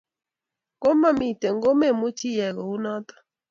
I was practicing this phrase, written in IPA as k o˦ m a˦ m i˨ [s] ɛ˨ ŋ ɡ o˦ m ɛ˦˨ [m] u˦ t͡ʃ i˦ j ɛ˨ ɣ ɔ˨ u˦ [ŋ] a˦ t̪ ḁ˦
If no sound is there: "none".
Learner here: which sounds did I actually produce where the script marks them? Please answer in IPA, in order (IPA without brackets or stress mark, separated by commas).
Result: t, m, n